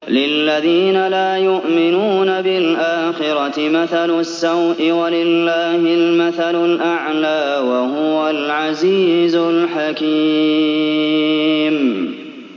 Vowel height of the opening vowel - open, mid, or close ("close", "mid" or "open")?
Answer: close